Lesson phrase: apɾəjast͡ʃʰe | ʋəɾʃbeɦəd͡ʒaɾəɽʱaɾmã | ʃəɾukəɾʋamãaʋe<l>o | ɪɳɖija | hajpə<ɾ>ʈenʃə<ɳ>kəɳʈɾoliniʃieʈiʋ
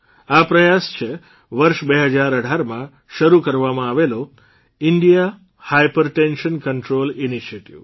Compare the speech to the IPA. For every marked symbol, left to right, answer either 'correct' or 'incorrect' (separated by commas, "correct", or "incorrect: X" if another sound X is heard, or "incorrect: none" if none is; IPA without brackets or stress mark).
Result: correct, correct, incorrect: n